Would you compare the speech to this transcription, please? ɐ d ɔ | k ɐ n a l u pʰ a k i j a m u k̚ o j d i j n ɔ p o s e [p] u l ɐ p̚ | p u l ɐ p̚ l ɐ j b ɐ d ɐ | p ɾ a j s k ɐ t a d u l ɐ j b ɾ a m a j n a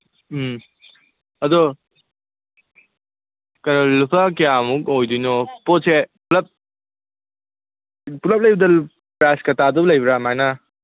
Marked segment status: correct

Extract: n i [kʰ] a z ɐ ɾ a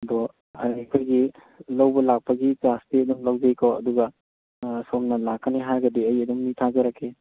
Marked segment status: incorrect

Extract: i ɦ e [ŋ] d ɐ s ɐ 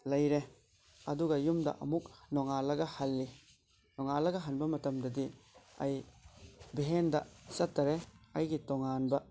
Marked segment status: incorrect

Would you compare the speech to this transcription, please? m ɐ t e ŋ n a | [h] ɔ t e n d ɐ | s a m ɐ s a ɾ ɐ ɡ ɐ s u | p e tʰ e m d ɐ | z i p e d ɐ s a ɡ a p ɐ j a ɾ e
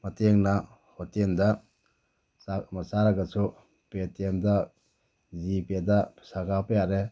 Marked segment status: correct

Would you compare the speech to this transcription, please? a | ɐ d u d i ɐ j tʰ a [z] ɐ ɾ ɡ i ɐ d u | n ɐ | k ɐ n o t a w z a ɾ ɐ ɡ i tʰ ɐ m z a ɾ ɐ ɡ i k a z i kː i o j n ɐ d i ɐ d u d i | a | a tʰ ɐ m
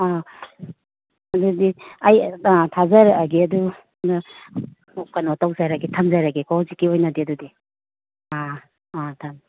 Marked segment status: correct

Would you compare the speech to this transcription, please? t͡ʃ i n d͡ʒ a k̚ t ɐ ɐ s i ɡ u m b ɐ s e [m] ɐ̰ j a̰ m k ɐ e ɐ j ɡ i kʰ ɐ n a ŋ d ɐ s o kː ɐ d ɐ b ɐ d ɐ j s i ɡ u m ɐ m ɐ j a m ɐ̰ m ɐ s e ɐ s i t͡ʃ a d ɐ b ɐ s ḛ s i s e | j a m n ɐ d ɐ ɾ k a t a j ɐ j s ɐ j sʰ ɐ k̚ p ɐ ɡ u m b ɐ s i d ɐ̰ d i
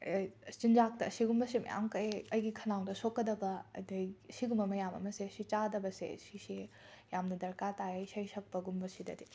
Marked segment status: correct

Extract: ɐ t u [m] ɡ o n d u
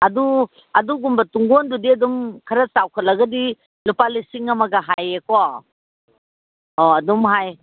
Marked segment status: incorrect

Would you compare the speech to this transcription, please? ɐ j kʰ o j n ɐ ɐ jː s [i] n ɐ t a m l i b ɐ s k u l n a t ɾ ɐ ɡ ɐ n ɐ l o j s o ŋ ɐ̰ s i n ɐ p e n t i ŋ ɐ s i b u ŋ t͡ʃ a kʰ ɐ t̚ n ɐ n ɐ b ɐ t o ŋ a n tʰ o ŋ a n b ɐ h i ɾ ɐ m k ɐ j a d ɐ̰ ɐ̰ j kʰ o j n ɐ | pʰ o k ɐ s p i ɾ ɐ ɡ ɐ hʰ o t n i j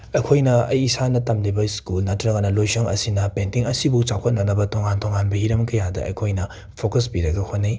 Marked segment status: incorrect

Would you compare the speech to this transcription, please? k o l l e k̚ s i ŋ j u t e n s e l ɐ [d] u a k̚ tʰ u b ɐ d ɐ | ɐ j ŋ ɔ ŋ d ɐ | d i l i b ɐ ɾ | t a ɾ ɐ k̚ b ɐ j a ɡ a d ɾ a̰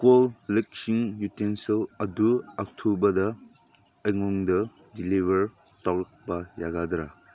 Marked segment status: correct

